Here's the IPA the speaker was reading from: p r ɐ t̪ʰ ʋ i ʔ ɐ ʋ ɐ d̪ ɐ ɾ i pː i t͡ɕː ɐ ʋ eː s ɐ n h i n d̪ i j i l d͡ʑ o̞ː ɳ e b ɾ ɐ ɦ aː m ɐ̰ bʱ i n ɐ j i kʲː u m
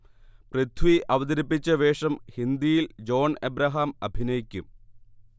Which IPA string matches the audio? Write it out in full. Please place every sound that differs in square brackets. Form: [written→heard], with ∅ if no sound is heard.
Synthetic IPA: p r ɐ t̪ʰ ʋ i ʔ ɐ ʋ ɐ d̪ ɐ ɾ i pː i t͡ɕː ɐ ʋ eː [s→ʂ] ɐ [n→m] h i n d̪ i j i l d͡ʑ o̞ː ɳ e b ɾ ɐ ɦ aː m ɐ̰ bʱ i n ɐ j i kʲː u m